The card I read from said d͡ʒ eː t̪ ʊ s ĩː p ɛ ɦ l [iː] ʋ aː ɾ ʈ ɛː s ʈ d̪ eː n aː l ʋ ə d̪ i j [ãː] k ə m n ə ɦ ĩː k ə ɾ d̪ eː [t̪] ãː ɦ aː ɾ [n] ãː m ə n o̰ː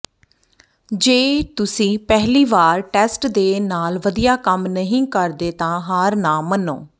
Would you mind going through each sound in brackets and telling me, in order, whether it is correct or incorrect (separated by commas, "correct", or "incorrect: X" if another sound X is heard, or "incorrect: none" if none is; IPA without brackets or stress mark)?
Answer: correct, incorrect: aː, correct, correct